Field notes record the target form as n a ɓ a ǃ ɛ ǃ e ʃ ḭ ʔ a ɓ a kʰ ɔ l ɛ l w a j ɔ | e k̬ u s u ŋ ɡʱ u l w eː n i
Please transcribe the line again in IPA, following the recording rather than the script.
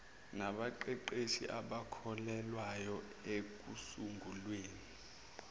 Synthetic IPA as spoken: n a ɓ a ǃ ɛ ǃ e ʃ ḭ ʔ a ɓ a kʰ ɔ l ɛ l w a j ɔ | e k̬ u s u ŋ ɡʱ u l w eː n i